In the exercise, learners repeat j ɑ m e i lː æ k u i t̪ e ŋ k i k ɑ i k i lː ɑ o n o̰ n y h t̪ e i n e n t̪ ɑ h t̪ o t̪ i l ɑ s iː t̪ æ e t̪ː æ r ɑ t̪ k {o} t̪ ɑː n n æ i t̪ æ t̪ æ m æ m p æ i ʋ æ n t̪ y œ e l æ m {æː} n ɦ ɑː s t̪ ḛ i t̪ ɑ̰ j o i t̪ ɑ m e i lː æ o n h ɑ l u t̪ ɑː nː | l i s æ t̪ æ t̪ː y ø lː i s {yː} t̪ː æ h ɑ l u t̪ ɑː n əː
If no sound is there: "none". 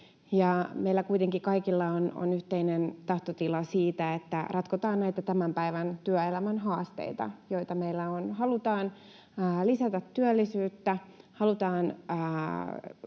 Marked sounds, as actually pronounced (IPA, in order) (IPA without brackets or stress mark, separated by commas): o, æ, yː